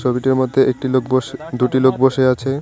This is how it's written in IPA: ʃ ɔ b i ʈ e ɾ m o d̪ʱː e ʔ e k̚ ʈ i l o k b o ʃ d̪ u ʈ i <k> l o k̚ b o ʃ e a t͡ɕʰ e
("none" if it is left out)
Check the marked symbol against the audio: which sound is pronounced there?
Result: none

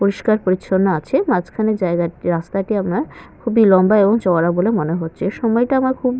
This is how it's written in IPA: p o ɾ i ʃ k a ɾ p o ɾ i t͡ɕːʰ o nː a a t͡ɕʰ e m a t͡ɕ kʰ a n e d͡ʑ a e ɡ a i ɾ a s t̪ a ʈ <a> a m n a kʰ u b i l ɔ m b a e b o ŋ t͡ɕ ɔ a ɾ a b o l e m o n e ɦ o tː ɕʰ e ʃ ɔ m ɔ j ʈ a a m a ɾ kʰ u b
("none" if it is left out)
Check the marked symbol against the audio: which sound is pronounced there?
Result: i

